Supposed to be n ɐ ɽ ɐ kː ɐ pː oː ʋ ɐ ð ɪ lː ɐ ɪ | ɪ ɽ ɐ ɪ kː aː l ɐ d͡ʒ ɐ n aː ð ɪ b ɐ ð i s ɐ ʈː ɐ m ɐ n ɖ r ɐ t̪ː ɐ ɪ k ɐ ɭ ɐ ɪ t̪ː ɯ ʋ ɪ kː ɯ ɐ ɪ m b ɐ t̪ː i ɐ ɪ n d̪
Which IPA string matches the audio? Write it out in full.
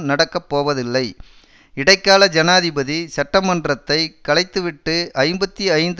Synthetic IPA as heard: n ɐ ɽ ɐ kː ɐ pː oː ʋ ɐ ð ɪ lː ɐ ɪ | ɪ ɽ ɐ ɪ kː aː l ɐ d͡ʒ ɐ n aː ð ɪ b ɐ ð i s ɐ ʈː ɐ m ɐ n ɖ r ɐ t̪ː ɐ ɪ k ɐ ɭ ɐ ɪ t̪ː ɯ ʋ ɪ ʈː ɯ ɐ ɪ m b ɐ t̪ː i ɐ ɪ n d̪